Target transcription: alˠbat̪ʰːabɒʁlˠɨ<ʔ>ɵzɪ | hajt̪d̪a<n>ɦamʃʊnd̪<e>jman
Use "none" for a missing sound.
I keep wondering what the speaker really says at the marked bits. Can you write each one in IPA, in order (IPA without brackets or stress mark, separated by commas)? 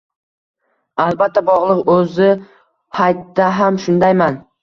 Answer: q, none, a